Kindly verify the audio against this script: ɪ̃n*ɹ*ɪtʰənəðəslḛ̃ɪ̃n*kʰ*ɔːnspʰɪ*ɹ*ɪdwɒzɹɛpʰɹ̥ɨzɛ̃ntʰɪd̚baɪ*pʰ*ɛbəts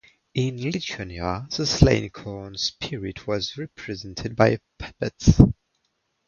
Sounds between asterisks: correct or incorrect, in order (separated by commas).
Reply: incorrect, correct, correct, correct